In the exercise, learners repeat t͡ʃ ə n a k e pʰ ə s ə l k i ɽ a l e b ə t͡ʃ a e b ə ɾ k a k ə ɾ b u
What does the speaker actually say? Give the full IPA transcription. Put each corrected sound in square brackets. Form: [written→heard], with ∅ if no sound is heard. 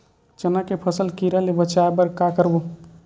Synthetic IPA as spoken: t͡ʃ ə n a k e pʰ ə s ə l k i [ɽ→ɾ] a l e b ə t͡ʃ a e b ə ɾ k a k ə ɾ b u

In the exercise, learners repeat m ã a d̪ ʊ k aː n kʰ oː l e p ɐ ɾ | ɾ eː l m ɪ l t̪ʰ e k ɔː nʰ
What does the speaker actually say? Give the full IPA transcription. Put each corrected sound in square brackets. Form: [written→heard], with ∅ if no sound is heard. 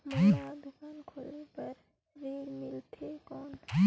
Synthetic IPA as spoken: m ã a d̪ ʊ k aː n kʰ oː l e p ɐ ɾ | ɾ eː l m ɪ l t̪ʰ e k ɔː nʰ

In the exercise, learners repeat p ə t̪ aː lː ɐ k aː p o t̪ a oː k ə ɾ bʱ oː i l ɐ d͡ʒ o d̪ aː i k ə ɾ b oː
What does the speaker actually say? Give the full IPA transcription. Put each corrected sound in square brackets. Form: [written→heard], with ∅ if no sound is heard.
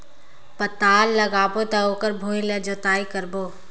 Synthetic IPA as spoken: p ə t̪ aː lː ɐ [k→ɡ] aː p o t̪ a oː k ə ɾ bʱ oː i l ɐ d͡ʒ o [d̪→t̪] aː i k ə ɾ b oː

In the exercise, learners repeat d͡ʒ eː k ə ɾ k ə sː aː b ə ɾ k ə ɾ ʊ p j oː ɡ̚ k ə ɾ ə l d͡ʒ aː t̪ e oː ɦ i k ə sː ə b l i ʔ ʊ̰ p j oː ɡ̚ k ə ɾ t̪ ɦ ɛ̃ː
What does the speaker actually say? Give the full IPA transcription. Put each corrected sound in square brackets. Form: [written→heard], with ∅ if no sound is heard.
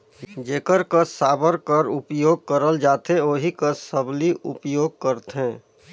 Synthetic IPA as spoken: d͡ʒ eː k ə ɾ k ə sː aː b ə ɾ k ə ɾ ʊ p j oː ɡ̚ k ə ɾ ə l d͡ʒ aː t̪ e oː ɦ i k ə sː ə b l i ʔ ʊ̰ p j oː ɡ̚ k ə ɾ t̪ ɦ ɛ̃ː

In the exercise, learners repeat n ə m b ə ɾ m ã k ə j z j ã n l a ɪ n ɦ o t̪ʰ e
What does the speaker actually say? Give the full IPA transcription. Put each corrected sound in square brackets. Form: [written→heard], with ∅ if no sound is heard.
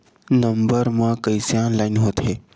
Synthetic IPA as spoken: n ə m b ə ɾ m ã k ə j [z→s] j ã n l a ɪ n ɦ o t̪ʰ e

